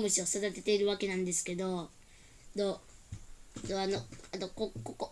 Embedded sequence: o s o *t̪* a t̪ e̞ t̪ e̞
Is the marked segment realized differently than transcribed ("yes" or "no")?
yes